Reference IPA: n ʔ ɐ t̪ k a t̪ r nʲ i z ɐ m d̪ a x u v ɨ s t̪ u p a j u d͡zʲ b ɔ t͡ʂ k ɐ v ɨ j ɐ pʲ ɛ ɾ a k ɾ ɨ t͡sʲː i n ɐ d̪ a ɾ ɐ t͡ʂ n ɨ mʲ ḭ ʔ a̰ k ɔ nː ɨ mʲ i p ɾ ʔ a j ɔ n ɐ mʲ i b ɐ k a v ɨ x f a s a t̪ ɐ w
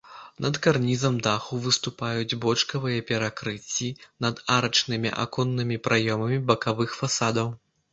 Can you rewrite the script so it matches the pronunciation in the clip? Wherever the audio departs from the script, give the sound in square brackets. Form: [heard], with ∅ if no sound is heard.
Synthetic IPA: n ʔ ɐ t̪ k a [∅] r nʲ i z ɐ m d̪ a x u v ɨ s t̪ u p a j u d͡zʲ b ɔ t͡ʂ k ɐ v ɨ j ɐ pʲ ɛ ɾ a k ɾ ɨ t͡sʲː i n ɐ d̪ a ɾ ɐ t͡ʂ n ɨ mʲ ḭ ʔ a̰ k ɔ nː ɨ mʲ i p ɾ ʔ a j ɔ [m] ɐ mʲ i b ɐ k a v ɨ x f a s a [d̪] ɐ w